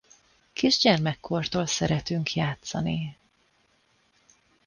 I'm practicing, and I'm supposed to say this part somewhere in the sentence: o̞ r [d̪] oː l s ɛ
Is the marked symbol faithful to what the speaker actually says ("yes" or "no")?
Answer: no